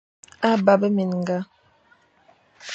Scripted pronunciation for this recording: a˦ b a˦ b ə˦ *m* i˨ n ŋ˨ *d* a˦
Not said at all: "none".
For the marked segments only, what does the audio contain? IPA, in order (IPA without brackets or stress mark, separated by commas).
m, ɡ